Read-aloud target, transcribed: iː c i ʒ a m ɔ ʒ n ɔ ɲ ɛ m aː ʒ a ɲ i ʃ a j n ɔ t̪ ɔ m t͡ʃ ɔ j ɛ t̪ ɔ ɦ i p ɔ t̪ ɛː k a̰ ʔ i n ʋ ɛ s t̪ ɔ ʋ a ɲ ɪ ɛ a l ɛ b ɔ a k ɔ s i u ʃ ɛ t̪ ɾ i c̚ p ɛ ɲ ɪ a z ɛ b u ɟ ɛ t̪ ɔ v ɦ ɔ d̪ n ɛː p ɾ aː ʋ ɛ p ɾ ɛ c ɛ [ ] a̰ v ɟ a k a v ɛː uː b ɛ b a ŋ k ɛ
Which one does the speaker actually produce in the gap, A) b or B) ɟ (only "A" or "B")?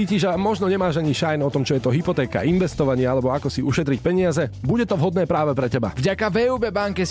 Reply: A